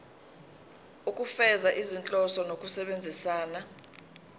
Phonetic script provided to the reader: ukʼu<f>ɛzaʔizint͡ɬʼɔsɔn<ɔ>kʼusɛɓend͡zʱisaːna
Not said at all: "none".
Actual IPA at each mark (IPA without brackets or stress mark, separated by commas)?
f, o